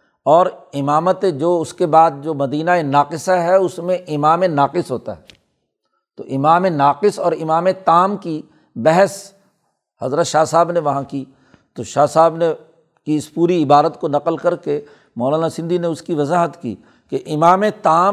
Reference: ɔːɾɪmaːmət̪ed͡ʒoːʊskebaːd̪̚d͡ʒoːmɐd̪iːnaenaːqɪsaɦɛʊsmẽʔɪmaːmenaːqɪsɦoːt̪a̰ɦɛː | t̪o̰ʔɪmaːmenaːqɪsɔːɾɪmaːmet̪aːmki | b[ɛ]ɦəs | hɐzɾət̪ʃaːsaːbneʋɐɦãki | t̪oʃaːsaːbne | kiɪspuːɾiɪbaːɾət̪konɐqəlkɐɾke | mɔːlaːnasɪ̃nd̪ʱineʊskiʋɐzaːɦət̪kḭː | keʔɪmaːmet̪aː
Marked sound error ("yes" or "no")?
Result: no